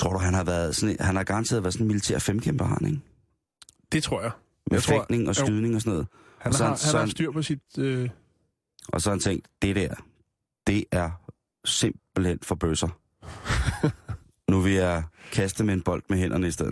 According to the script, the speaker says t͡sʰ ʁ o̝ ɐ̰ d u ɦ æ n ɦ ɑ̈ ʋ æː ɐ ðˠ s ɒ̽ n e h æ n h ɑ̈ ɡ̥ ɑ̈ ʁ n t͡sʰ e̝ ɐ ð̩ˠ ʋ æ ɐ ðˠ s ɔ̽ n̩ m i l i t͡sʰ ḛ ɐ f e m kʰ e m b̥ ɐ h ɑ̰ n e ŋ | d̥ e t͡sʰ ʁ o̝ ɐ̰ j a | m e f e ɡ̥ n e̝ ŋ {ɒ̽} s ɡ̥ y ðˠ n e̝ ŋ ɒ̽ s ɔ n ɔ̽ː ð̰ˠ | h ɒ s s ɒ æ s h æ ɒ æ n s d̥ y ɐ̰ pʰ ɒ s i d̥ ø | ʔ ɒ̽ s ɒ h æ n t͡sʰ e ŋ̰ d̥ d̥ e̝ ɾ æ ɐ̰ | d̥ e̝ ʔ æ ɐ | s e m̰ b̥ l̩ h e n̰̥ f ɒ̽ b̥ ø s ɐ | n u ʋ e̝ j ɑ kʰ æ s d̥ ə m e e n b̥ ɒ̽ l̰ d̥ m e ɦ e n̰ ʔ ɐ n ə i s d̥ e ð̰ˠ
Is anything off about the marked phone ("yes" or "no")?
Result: no